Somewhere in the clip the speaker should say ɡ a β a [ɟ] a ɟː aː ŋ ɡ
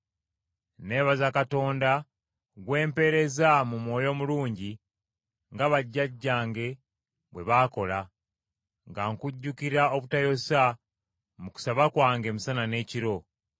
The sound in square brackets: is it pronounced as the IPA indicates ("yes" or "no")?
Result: no